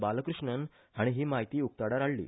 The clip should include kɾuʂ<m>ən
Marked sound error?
yes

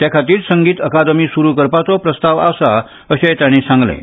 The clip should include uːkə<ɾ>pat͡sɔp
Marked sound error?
no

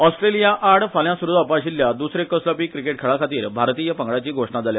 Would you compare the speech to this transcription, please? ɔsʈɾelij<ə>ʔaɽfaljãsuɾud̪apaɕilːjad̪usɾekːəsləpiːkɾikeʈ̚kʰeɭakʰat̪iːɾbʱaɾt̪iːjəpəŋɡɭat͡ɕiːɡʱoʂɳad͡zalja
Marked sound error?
yes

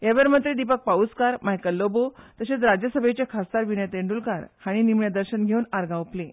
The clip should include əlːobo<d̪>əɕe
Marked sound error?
yes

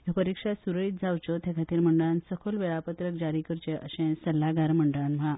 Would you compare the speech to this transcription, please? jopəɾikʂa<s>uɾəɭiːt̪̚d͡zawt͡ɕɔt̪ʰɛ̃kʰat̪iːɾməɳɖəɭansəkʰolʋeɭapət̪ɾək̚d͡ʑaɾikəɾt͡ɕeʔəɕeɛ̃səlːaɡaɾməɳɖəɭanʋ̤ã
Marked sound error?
no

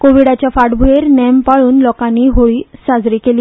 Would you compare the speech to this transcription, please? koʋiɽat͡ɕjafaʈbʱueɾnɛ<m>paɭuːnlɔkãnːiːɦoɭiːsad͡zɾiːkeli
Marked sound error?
no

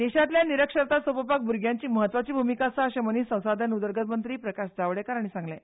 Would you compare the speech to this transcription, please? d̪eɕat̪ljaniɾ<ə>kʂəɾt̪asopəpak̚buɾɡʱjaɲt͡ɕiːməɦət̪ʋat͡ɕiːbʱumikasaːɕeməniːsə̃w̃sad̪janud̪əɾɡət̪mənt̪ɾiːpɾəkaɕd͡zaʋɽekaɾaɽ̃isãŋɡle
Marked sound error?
no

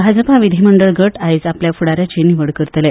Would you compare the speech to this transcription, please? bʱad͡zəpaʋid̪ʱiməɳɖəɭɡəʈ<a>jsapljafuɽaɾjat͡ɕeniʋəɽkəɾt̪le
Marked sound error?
no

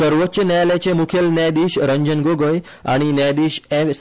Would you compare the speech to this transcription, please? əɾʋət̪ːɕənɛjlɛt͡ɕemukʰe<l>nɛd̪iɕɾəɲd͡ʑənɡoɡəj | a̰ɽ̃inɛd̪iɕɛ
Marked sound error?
no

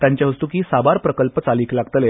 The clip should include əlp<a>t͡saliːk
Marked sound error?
yes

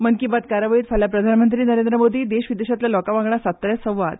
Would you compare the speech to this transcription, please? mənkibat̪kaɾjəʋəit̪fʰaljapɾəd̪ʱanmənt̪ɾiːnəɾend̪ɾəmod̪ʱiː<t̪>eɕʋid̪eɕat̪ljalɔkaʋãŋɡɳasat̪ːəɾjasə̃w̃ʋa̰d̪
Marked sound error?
yes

